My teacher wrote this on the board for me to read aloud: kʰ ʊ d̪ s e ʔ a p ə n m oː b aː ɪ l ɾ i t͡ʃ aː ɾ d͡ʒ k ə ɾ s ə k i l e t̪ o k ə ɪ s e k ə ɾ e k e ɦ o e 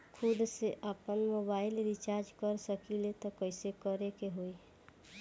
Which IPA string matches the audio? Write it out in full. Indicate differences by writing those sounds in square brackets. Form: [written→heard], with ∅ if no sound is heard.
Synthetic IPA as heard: kʰ ʊ d̪ s e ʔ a p ə n m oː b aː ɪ l ɾ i t͡ʃ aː ɾ d͡ʒ k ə ɾ s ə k i l e t̪ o k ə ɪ s e k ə ɾ e k e ɦ o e